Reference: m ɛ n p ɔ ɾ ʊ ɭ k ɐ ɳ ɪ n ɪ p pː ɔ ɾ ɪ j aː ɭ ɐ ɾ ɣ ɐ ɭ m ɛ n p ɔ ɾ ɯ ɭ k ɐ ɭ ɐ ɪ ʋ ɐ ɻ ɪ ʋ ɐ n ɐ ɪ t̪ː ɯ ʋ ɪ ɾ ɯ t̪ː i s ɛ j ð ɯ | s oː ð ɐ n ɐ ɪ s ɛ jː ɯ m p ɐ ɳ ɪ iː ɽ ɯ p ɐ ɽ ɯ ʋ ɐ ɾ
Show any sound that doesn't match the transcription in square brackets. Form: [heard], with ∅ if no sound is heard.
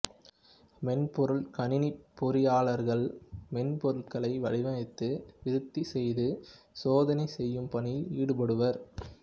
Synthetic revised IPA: m ɛ n p ɔ ɾ [ɯ] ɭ k ɐ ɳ ɪ n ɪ p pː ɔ ɾ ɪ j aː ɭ ɐ ɾ ɣ ɐ ɭ m ɛ n p ɔ ɾ ɯ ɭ k ɐ ɭ ɐ ɪ ʋ ɐ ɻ ɪ ʋ ɐ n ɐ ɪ t̪ː ɯ ʋ ɪ ɾ ɯ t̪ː i s ɛ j ð ɯ | s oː ð ɐ n ɐ ɪ s ɛ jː ɯ m p ɐ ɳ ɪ iː ɽ ɯ p ɐ ɽ ɯ ʋ ɐ ɾ